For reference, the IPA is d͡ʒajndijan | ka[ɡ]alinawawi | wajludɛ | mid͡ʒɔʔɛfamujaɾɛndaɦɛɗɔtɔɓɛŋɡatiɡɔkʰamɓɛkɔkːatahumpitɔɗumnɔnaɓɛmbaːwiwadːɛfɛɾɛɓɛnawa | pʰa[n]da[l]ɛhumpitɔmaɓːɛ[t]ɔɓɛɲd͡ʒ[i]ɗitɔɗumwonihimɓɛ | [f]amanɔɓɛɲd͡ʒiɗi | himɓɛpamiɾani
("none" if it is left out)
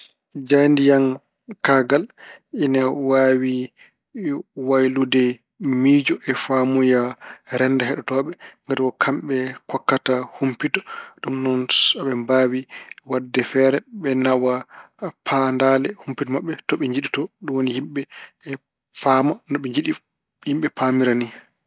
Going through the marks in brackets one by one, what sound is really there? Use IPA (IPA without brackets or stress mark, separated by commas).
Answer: ɡ, n, l, t, i, f